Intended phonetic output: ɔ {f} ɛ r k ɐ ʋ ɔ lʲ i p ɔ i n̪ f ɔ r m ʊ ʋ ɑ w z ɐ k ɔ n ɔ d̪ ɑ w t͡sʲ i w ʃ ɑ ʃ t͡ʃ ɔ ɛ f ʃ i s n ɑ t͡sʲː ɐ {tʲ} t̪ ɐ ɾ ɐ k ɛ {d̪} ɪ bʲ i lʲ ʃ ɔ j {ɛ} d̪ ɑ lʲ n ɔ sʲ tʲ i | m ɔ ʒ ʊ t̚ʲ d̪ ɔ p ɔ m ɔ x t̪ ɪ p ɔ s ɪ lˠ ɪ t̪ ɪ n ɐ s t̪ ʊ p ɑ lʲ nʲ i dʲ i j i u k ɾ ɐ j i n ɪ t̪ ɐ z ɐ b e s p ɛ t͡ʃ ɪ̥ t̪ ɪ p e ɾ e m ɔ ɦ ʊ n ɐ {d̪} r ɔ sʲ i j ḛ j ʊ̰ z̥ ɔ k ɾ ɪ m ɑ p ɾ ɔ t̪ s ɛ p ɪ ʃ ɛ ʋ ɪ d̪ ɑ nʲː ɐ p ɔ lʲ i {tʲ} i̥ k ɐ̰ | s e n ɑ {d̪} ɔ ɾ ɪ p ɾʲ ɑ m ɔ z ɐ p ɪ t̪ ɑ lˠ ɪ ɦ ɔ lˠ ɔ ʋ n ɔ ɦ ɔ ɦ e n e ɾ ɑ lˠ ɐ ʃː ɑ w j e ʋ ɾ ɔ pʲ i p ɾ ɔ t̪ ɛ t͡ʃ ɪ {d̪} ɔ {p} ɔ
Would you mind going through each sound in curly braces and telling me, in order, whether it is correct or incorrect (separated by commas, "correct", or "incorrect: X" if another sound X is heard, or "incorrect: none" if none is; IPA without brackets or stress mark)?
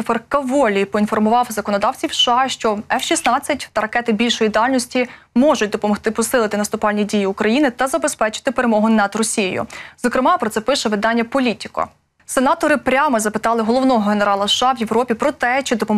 correct, correct, incorrect: t̪, incorrect: i, correct, correct, incorrect: t̪, correct, correct